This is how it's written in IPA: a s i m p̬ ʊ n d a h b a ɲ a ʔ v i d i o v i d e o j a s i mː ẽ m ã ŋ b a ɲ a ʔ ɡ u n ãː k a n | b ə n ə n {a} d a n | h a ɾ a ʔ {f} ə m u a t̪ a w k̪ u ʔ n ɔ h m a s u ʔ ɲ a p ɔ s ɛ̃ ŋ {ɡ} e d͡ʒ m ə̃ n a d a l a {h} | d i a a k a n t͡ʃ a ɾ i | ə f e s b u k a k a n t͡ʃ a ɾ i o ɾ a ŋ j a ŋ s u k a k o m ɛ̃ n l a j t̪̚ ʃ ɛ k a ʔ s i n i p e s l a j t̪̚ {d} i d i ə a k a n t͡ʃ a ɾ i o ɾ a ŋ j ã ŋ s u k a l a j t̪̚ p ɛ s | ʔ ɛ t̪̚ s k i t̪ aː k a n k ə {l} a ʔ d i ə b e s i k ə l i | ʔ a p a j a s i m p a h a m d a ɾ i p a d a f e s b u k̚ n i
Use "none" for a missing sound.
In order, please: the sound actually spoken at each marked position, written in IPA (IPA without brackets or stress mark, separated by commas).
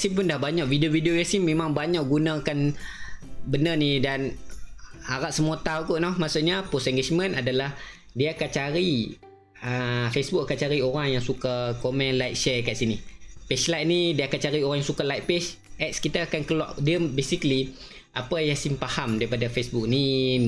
i, s, ɡ, h, n, l